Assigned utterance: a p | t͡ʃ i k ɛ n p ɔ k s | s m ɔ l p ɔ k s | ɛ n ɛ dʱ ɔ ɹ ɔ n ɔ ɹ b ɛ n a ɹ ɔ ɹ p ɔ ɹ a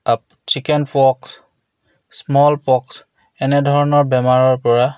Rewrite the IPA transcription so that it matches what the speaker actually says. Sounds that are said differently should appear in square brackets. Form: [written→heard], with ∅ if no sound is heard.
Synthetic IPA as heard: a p | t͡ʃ i k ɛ n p ɔ k s | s m ɔ l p ɔ k s | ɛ n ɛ dʱ ɔ ɹ ɔ n ɔ ɹ b ɛ [n→m] a ɹ ɔ ɹ p ɔ ɹ a

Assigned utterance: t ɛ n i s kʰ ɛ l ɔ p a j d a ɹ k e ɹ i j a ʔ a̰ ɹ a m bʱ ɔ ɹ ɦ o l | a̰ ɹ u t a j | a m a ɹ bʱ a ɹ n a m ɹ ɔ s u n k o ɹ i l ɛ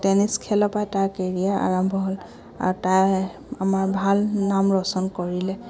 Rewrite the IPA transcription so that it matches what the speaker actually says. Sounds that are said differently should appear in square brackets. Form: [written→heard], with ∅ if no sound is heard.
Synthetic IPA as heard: t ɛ n i s kʰ ɛ l ɔ p a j [d→t] a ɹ k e ɹ i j a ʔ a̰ ɹ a m bʱ ɔ [ɹ→∅] ɦ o l | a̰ ɹ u t a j | a m a ɹ bʱ a [ɹ→l] n a m ɹ ɔ s [u→ɔ] n k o ɹ i l ɛ

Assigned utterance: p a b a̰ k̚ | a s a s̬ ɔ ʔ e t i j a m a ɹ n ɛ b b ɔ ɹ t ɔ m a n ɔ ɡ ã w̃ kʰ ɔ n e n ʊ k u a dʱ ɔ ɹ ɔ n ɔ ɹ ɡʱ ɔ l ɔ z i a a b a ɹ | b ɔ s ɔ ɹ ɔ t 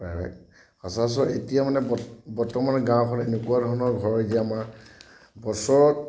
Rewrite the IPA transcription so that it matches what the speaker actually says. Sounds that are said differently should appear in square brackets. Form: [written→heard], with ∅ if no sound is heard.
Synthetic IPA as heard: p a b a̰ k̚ | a s a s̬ ɔ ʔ e t i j a m a [ɹ→∅] n ɛ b b ɔ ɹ t ɔ m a n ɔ ɡ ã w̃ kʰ ɔ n e n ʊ k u a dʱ ɔ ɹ ɔ n ɔ ɹ ɡʱ ɔ [l→ɹ] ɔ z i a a [b→m] a ɹ | b ɔ s ɔ ɹ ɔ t

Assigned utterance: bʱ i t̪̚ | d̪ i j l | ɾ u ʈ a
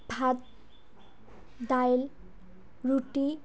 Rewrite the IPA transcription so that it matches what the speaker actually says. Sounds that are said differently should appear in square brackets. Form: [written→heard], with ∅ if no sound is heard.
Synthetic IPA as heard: bʱ [i→a] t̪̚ | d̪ [i→a] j l | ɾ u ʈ [a→i]

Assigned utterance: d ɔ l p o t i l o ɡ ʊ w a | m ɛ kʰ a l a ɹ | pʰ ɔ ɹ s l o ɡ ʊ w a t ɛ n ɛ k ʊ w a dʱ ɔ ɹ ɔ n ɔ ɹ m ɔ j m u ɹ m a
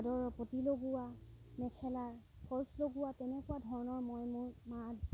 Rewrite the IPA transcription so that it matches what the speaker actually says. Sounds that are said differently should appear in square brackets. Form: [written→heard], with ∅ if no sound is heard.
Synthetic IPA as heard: d ɔ [l→ɹ] p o t i l o ɡ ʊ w a | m ɛ kʰ [a→ɛ] l a ɹ | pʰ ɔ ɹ s l o ɡ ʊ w a t ɛ n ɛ k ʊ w a dʱ ɔ ɹ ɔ n ɔ ɹ m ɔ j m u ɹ m a

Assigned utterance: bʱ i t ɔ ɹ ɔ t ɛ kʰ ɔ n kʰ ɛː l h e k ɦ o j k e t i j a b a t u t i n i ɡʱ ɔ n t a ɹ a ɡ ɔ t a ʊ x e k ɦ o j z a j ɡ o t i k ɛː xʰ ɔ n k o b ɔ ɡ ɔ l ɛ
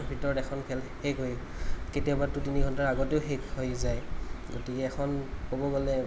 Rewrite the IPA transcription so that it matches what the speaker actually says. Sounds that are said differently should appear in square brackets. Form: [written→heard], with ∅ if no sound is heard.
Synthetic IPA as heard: bʱ i t ɔ ɹ ɔ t ɛ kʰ ɔ n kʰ [ɛː→ɛ] l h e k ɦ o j k e t i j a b a t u t i n i ɡʱ ɔ n t a ɹ a ɡ ɔ t [a→e] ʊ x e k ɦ o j z a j ɡ o t i k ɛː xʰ ɔ n k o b ɔ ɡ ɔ l ɛ

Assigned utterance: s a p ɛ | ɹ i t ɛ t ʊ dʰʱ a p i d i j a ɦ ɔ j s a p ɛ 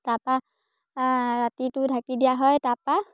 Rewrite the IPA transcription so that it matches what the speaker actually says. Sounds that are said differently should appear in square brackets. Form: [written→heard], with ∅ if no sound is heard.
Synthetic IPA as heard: [s→t] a p [ɛ→a] | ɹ [i→a] t [ɛ→i] t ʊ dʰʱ a [p→k] i d i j a ɦ ɔ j [s→t] a p [ɛ→a]

